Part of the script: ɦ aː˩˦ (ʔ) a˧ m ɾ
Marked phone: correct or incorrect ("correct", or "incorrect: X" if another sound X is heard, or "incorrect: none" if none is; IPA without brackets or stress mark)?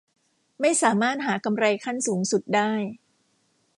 incorrect: k